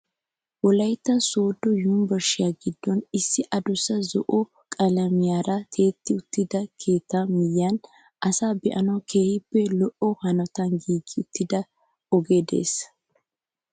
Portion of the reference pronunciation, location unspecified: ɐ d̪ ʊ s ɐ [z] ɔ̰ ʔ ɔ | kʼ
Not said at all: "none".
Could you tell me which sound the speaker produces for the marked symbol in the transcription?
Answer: z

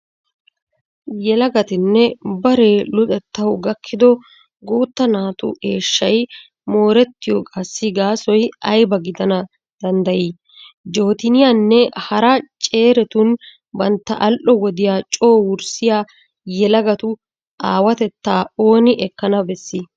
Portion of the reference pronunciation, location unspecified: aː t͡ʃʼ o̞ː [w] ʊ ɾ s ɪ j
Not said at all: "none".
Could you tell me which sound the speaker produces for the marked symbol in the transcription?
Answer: w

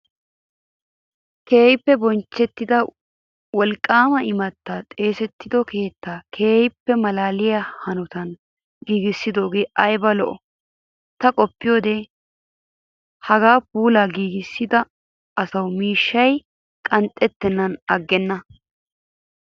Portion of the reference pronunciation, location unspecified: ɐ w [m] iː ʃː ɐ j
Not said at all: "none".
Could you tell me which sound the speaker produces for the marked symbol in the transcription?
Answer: m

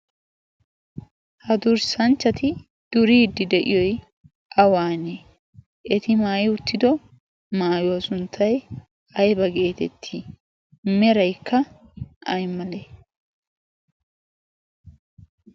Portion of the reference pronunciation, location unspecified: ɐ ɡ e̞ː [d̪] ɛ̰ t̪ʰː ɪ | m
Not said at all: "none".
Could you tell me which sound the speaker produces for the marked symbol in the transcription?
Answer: t̪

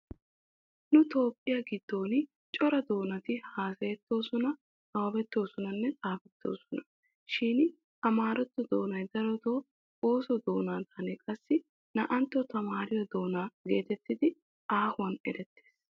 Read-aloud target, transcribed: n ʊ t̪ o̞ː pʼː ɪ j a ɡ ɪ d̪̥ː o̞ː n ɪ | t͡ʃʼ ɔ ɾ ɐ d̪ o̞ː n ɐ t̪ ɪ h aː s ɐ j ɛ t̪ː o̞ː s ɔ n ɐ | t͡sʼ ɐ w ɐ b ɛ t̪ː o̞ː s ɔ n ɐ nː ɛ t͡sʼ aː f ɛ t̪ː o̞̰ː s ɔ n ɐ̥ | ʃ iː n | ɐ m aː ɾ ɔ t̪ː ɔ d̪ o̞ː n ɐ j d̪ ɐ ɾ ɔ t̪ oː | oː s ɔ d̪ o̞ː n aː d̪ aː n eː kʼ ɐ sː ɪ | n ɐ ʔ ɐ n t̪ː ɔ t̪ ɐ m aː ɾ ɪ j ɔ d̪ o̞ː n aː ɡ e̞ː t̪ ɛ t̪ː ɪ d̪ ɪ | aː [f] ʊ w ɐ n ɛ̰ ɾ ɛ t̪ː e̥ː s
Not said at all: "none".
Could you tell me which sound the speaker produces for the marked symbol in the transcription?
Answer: h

